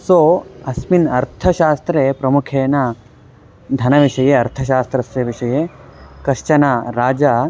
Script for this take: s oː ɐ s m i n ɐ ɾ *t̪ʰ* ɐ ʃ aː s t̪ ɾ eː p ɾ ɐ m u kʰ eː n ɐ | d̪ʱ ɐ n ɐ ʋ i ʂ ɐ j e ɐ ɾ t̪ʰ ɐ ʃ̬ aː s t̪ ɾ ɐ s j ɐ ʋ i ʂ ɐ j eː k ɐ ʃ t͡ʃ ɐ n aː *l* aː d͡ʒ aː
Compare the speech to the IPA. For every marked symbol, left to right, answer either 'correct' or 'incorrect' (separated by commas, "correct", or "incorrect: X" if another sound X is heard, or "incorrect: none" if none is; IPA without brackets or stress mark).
correct, incorrect: ɾ